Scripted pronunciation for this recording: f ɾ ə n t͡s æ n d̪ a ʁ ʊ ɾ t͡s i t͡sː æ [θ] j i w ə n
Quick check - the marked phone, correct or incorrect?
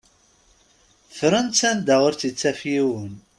incorrect